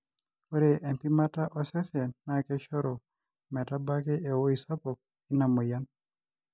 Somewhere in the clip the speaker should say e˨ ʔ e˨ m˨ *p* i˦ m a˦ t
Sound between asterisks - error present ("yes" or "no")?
no